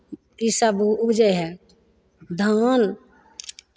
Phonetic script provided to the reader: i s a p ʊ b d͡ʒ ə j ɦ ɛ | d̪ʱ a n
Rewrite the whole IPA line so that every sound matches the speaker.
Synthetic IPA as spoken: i s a b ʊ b d͡ʒ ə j ɦ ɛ | d̪ʱ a n

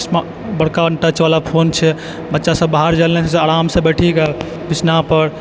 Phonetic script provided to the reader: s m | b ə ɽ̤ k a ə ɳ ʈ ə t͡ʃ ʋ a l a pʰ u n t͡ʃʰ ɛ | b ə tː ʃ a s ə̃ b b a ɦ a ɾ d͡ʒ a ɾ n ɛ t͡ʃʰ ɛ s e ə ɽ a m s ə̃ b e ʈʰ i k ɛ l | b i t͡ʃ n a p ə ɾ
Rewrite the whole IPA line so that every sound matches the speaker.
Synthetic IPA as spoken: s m | b ə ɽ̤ k a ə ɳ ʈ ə t͡ʃ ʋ a l a pʰ o n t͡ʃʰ ɛ | b ə tː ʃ a s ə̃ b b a ɦ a ɾ d͡ʒ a l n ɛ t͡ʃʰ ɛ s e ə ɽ a m s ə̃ b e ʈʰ i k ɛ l | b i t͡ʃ n a p ə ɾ

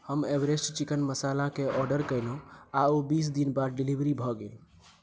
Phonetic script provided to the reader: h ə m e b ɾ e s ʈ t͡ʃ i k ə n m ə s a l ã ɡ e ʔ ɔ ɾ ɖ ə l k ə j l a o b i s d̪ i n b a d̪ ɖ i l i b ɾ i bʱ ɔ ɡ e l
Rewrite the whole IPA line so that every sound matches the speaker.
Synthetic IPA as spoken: h ə m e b ɾ e s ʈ t͡ʃ i k ə n m ə s a l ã k e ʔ ɔ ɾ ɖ ə ɾ k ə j l a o b i s d̪ i n b a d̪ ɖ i l i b ɾ i bʱ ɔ ɡ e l

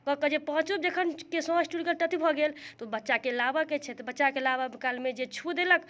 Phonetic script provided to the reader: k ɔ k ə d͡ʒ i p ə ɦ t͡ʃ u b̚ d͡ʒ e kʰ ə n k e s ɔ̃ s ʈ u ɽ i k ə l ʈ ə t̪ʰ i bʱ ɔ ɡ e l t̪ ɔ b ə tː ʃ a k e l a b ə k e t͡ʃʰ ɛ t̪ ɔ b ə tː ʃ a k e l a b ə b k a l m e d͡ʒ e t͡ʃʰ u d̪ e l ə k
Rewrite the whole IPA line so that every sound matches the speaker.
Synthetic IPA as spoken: k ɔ k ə d͡ʒ e p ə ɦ t͡ʃ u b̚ d͡ʒ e kʰ ə n k e s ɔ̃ s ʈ u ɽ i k ə l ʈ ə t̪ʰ i bʱ ɔ ɡ e l t̪ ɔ b ə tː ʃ a k e l a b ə k e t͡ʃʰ ɛ t̪ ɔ b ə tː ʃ a k e l a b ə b k a l m e d͡ʒ e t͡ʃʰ u d̪ e l ə k

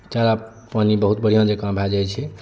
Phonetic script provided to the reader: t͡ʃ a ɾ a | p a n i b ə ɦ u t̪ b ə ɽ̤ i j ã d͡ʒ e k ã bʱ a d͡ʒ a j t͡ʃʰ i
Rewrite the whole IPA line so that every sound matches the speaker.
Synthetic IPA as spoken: t͡ʃ a ɾ a | p a n i b ə ɦ u t̪ b ə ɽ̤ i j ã d͡ʒ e k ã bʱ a d͡ʒ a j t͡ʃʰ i

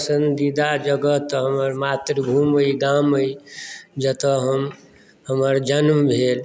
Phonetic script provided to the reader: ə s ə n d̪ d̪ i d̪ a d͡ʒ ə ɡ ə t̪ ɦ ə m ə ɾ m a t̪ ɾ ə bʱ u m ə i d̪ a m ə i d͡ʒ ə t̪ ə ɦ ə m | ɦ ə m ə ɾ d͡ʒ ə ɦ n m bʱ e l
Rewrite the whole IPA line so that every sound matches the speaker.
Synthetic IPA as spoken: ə s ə n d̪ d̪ i d̪ a d͡ʒ ə ɡ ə t̪ ɦ ə m ə ɾ m a t̪ ɾ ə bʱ u m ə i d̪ a m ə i d͡ʒ ə t̪ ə ɦ ə m | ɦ ə m ə ɾ d͡ʒ ə n m bʱ e l

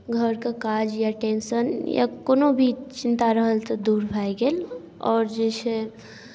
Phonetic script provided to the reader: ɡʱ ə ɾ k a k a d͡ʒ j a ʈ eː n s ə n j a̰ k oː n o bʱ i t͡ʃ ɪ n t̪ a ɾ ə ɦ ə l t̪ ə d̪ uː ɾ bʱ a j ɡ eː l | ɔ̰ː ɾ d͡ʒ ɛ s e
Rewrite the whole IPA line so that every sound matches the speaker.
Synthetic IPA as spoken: ɡʱ ə ɾ k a k a d͡ʒ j a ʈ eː n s ə n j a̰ k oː n o bʱ i t͡ʃ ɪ n t̪ a ɾ ə ɦ ə l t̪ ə d̪ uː ɾ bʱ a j ɡ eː l | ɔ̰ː ɾ d͡ʒ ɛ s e

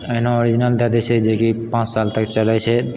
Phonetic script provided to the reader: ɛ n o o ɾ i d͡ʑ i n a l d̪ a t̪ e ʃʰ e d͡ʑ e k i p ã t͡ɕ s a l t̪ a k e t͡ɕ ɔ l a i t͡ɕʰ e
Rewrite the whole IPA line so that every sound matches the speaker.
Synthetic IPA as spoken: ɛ n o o ɾ i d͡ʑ i n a l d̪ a d̪ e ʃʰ e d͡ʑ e k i p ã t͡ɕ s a l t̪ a k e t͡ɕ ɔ l a j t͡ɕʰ e

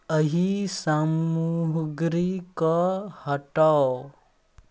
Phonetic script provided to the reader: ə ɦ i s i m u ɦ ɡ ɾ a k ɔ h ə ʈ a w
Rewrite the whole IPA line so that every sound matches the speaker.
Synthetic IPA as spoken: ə ɦ i s a m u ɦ ɡ ɾ i k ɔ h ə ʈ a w

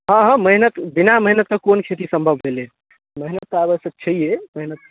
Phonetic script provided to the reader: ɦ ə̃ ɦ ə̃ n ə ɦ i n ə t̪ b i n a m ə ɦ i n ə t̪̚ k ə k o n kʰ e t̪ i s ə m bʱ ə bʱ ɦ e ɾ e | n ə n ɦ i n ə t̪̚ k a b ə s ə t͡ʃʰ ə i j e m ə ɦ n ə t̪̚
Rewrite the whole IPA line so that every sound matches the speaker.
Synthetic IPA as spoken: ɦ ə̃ ɦ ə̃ m ə ɦ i n ə t̪ b i n a m ə ɦ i n ə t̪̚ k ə k o n kʰ e t̪ i s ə m bʱ ə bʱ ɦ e l e | m ə ɦ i n ə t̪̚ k a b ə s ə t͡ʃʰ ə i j e m ə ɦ n ə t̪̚

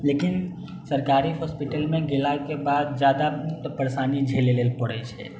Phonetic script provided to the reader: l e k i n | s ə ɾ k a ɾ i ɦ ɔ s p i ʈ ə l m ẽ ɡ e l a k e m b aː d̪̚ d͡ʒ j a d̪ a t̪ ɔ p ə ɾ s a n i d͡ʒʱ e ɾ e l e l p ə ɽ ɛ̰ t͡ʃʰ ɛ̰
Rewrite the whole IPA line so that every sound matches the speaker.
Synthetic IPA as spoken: l e k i n | s ə ɾ k a ɾ i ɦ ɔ s p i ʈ ə l m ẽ ɡ e l a k e b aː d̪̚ d͡ʒ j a d̪ a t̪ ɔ p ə ɾ s a n i d͡ʒʱ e l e l e l p ə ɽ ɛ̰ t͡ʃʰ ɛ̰

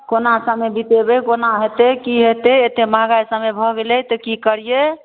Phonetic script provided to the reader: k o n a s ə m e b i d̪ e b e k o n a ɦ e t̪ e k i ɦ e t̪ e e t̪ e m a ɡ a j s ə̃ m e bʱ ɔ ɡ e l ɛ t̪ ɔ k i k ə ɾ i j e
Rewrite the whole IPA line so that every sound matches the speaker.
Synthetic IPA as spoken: k o n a s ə m e b i t̪ e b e k o n a ɦ e t̪ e k i ɦ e t̪ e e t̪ e m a ɡ a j s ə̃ m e bʱ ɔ ɡ e l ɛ t̪ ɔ k i k ə ɾ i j e

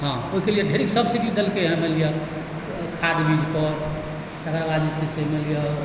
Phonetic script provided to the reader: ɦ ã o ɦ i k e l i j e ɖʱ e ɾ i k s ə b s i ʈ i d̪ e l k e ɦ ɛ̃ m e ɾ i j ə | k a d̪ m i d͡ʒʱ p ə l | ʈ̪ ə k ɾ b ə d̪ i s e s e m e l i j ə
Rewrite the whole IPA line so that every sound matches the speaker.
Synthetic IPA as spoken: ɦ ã o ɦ i k e l i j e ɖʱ e ɾ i k s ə b s i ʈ i d̪ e l k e ɦ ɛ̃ m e l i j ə | kʰ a d̪ b i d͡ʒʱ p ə ɾ | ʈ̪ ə k ɾ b a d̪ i s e s e m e l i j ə

